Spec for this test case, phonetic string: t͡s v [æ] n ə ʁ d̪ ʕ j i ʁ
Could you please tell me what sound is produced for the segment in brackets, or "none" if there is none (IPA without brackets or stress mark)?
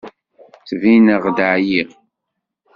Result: i